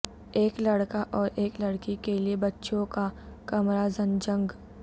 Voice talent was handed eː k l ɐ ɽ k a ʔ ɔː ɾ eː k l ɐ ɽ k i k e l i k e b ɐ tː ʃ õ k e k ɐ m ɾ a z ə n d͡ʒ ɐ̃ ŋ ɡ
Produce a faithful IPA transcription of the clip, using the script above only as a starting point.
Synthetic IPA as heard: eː k l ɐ ɽ k a ʔ ɔː ɾ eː k l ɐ ɽ k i k e l i e b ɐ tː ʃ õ k a k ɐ m ɾ a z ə n d͡ʒ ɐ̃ ŋ ɡ